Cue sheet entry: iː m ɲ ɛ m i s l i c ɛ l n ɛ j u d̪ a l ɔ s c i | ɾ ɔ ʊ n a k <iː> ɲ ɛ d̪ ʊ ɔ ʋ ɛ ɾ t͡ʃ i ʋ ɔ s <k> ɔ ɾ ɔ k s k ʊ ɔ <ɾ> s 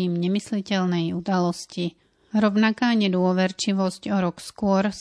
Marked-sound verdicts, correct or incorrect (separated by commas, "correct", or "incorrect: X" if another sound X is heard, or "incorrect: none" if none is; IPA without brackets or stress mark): incorrect: aː, incorrect: c, correct